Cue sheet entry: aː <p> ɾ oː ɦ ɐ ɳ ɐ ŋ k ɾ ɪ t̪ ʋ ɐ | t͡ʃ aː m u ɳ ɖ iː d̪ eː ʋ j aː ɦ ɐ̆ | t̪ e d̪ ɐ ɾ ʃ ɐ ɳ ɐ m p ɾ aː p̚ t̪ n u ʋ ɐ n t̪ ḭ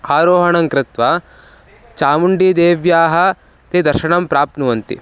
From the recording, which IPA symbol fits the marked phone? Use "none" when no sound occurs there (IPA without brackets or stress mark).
none